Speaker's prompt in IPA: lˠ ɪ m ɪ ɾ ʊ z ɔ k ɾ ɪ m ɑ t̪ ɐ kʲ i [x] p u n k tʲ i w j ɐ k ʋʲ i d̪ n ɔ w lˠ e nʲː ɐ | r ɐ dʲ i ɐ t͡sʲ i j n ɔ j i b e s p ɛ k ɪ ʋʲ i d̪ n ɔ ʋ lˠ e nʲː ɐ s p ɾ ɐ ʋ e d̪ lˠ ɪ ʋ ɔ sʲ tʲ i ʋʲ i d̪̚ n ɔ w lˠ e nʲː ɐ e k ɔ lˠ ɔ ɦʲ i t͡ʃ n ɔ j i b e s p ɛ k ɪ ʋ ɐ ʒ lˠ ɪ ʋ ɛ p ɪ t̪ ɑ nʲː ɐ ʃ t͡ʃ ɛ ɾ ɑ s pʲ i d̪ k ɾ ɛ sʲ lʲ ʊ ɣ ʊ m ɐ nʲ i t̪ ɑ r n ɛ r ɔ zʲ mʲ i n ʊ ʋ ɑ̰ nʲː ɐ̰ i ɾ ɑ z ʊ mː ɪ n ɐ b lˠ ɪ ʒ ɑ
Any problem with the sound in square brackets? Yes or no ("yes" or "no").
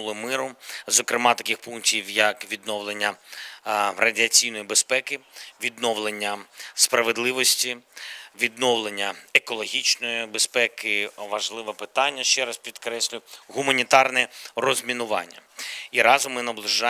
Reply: no